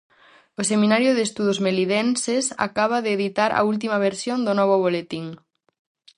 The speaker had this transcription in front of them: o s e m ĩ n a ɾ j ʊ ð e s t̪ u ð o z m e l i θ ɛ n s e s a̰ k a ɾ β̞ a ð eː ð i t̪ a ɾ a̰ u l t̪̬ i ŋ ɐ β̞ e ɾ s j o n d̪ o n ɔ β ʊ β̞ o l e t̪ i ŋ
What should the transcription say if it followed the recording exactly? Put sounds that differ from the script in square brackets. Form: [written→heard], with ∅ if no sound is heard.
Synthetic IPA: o s e m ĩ n a ɾ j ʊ ð e s t̪ u ð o z m e l i [θ→ð] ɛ n s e s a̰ k a [ɾ→∅] β̞ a ð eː ð i t̪ a ɾ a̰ u l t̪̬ i [ŋ→m] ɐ β̞ e ɾ s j o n d̪ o n ɔ β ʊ β̞ o l e t̪ i ŋ